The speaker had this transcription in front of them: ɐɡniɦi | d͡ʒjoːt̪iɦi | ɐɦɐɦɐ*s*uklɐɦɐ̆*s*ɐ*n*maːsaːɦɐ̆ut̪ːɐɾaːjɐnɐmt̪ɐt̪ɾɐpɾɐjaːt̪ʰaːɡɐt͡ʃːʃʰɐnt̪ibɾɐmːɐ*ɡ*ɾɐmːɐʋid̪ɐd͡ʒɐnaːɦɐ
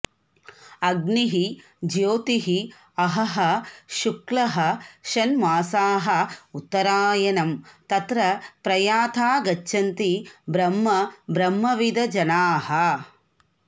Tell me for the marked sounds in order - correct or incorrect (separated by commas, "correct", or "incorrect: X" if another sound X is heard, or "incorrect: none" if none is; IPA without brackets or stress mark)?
incorrect: ʃ, incorrect: ʃ, correct, incorrect: b